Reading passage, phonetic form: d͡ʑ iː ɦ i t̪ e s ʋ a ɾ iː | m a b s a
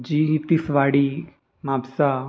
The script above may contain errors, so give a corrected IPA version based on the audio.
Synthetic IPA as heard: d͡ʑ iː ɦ i t̪ i s ʋ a ɽ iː | m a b s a